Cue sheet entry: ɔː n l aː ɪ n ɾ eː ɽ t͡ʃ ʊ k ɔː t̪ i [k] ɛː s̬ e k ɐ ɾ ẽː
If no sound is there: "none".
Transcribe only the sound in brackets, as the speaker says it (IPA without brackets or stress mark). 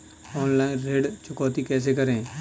k